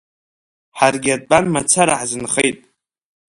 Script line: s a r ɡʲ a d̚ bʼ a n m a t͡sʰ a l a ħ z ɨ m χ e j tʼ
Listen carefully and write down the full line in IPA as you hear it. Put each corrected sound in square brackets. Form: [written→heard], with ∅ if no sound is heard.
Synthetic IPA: [s→ħ] a r ɡʲ a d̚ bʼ a n m a t͡sʰ a [l→ɾ] a ħ z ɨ [m→n] χ e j tʼ